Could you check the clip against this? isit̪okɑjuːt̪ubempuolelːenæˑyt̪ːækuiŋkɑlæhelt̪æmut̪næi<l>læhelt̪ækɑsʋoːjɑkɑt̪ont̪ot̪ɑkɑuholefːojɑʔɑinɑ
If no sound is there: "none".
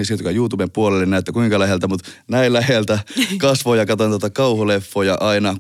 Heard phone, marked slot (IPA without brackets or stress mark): l